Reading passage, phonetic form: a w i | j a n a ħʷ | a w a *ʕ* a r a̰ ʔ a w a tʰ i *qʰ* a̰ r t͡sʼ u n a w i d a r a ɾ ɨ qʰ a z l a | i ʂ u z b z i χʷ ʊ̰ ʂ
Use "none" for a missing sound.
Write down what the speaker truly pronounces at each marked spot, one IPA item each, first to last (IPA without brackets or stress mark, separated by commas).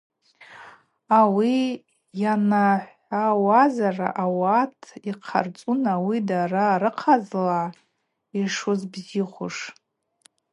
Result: z, qʰ